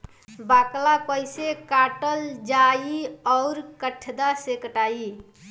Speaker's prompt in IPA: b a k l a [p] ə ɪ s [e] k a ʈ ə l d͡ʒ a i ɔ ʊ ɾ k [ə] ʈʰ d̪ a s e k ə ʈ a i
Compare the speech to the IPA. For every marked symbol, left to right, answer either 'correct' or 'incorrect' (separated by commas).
correct, correct, correct